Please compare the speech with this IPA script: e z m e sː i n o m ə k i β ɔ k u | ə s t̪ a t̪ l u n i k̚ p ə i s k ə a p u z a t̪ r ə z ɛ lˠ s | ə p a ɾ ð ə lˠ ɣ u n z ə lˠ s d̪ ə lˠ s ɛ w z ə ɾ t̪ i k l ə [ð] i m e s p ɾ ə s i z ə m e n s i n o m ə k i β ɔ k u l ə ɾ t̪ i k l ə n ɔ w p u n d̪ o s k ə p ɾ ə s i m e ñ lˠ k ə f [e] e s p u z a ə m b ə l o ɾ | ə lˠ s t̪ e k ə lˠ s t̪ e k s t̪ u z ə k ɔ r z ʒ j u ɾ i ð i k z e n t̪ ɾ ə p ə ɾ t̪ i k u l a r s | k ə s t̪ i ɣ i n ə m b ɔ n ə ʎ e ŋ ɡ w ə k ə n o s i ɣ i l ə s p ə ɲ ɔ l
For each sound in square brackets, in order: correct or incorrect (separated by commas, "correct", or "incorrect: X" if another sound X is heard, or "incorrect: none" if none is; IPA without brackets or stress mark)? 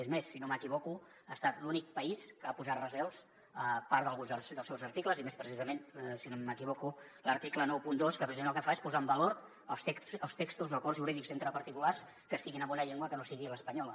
incorrect: z, incorrect: a